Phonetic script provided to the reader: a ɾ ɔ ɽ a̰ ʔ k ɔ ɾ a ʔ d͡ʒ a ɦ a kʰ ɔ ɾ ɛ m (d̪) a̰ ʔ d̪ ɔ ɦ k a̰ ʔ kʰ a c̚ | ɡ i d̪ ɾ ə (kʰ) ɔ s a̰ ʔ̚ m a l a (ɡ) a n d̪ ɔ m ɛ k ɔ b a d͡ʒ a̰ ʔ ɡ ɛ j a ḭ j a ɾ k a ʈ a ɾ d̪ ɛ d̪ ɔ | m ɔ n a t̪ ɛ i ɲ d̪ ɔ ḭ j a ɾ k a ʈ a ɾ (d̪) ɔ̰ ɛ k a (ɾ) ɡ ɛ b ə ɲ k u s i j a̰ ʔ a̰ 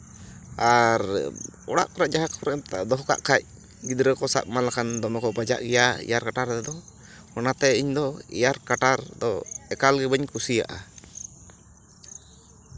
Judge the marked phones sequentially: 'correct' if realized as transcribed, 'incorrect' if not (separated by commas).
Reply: incorrect, incorrect, incorrect, correct, incorrect